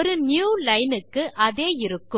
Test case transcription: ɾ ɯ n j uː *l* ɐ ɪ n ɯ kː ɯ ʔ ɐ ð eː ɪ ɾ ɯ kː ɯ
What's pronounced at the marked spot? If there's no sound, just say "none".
l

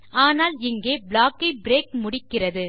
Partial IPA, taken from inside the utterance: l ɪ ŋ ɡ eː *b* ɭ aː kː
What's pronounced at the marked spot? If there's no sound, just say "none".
b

